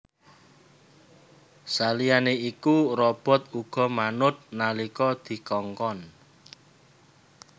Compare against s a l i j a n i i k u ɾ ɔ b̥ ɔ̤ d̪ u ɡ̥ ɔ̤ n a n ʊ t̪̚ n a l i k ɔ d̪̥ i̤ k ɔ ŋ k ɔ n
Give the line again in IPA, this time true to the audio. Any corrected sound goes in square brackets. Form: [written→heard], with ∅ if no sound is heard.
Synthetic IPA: s a l i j a n [i→e] i k u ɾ ɔ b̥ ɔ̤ [d̪→t̪] u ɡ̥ ɔ̤ [n→m] a n ʊ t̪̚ n a l i k ɔ d̪̥ i̤ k ɔ ŋ k ɔ n